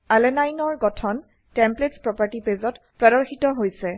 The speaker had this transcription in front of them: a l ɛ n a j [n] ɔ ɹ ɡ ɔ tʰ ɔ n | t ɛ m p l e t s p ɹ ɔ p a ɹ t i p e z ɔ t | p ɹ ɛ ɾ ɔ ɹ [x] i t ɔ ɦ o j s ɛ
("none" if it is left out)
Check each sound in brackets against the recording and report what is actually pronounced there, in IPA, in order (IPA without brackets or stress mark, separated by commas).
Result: n, x